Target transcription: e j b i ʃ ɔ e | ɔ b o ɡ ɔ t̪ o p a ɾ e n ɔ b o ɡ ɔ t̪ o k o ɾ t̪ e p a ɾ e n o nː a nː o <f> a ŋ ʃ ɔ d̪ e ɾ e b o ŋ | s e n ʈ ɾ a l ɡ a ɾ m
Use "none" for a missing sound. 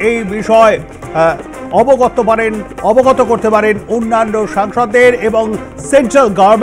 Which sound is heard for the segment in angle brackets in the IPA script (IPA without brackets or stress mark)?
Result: ʃ